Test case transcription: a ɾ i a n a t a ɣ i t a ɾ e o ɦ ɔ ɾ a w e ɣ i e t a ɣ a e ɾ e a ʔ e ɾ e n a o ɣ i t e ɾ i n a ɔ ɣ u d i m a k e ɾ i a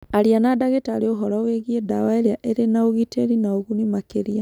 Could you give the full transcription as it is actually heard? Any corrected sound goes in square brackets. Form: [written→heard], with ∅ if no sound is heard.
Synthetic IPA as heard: a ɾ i a n a [t→d] a ɣ [i→e] t a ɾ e o ɦ ɔ ɾ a w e ɣ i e [t→d] a [ɣ→w] a e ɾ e a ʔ e ɾ e n a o ɣ i t e ɾ i n a [ɔ→o] ɣ u [d→n] i m a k e ɾ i a